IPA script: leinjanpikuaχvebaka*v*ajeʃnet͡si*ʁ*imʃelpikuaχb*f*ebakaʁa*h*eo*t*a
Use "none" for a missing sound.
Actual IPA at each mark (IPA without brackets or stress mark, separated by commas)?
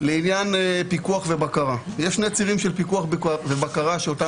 ʁ, ʁ, v, ʃ, t